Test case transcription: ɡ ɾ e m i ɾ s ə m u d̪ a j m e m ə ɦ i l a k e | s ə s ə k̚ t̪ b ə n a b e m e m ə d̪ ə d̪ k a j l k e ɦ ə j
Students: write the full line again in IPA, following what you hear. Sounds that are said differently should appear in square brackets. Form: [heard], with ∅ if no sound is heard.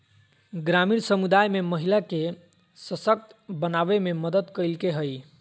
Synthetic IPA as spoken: ɡ ɾ [a] m i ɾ s ə m u d̪ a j m e m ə ɦ i l a k e | s ə s ə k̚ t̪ b ə n a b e m e m ə d̪ ə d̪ k [ə] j l k e ɦ ə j